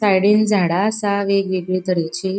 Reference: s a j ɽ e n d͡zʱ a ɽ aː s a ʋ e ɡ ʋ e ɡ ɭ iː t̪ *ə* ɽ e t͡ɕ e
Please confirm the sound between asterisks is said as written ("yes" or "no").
yes